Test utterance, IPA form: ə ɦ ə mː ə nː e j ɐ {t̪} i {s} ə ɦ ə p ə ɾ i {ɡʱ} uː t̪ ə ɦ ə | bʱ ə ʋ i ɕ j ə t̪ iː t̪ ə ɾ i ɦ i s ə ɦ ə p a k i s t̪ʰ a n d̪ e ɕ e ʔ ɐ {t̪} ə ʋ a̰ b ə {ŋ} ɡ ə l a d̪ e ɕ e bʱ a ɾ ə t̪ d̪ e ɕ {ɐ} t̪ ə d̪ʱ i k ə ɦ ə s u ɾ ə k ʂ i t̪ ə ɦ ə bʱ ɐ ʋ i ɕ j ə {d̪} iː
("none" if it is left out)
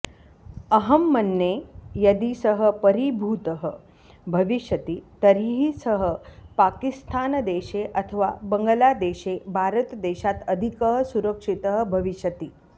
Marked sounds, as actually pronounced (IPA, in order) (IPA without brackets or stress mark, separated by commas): d̪, s, bʱ, t̪ʰ, ŋ, a, t̪